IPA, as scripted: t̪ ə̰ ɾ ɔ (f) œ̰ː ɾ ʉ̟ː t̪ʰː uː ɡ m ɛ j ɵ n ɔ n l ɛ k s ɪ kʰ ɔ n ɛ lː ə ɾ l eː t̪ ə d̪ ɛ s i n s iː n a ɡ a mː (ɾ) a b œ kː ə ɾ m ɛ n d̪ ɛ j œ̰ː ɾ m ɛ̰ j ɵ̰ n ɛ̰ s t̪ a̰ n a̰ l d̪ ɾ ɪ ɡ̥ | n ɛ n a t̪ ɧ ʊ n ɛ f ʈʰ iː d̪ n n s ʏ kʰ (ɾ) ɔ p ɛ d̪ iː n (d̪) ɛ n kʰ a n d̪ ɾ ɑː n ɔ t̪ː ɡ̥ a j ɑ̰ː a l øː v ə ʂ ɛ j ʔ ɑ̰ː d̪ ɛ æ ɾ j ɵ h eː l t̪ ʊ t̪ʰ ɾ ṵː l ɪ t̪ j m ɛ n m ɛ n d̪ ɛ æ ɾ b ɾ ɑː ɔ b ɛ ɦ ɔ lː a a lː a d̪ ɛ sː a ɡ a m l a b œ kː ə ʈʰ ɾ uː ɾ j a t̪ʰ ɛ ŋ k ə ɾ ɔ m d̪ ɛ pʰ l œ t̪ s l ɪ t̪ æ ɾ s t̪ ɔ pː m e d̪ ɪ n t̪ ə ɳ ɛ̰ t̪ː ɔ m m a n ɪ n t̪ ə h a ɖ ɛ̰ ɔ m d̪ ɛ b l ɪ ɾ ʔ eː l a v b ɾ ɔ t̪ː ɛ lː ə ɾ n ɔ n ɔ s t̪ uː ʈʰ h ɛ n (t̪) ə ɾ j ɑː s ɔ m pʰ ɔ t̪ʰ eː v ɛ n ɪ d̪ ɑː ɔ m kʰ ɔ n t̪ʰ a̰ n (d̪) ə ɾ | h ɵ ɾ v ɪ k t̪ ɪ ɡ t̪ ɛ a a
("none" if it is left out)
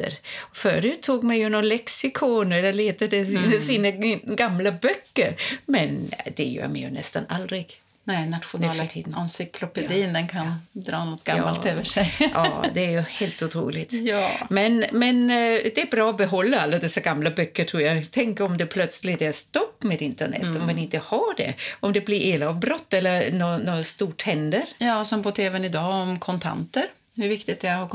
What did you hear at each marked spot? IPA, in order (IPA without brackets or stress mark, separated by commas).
f, l, l, d̪, d̪, t̪